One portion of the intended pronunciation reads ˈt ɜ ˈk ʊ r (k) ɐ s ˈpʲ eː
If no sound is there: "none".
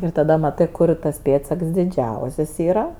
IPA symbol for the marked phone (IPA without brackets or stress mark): t